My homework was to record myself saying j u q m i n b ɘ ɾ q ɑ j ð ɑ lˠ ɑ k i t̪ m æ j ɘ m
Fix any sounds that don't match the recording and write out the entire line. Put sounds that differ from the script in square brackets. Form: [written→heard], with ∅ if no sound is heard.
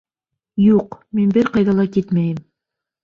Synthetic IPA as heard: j u q m i n b ɘ ɾ q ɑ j ð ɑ lˠ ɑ k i t̪ m æ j ɘ m